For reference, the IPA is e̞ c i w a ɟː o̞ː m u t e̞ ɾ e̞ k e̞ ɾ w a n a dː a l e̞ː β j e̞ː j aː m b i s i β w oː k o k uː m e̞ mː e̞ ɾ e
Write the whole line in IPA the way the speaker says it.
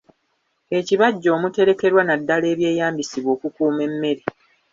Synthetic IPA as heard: e̞ c i β a ɟː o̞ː m u t e̞ ɾ e̞ k e̞ ɾ w a n a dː a l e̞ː β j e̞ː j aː m b i s i β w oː k u k uː m e̞ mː e̞ ɾ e